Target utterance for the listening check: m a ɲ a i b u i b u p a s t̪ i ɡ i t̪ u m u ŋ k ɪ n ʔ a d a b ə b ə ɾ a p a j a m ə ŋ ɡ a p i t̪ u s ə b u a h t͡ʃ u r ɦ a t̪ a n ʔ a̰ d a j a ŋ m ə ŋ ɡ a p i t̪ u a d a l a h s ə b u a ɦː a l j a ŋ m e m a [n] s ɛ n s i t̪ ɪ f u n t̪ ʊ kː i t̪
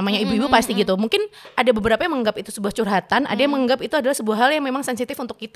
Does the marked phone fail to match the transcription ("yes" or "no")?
yes